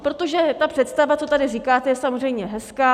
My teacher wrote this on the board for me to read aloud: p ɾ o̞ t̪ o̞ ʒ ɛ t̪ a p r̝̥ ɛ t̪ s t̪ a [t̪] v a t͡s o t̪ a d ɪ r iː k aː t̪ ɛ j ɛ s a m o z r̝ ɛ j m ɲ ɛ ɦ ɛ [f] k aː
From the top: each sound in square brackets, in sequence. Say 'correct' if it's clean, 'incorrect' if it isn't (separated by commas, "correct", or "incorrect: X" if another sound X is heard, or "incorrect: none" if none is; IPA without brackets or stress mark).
incorrect: none, incorrect: s